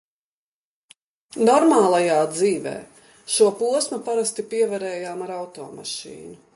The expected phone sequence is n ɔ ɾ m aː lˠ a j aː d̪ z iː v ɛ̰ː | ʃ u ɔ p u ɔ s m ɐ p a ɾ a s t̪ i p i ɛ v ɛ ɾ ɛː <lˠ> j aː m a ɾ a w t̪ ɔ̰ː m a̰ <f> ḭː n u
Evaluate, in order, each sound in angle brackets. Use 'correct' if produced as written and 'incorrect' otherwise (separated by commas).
incorrect, incorrect